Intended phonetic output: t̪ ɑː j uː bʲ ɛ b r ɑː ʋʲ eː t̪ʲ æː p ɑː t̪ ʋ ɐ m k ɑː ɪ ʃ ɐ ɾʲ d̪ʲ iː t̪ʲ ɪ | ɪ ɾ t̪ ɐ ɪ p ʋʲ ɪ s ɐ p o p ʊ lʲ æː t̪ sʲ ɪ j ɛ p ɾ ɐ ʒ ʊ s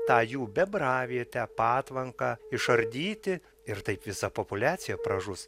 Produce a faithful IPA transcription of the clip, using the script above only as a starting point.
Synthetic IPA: t̪ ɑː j uː bʲ ɛ b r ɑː ʋʲ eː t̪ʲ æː p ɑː t̪ ʋ ɐ ŋ k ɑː ɪ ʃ ɐ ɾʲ d̪ʲ iː t̪ʲ ɪ | ɪ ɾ t̪ ɐ ɪ p ʋʲ ɪ s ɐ p o p ʊ lʲ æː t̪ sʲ ɪ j ɛ p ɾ ɐ ʒ ʊ s